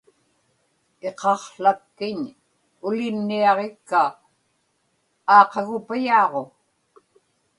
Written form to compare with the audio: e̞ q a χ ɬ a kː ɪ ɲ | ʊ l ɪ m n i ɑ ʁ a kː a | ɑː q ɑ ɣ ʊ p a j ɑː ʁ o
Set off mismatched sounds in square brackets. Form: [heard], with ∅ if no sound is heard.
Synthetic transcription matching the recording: e̞ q [ɑ] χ ɬ a kː ɪ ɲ | ʊ l ɪ m n i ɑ ʁ [e] kː a | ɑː q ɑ ɣ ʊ p a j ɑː ʁ o